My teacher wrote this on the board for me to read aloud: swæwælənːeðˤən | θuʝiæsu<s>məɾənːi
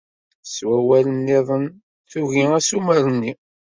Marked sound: incorrect: none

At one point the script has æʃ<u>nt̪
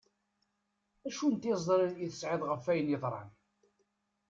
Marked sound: correct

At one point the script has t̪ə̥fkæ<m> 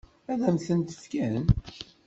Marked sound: incorrect: n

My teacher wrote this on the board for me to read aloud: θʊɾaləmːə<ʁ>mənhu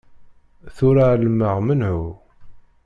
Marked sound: correct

